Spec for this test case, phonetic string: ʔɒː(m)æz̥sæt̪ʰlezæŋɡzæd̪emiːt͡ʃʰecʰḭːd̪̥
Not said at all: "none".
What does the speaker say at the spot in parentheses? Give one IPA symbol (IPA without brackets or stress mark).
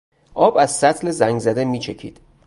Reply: b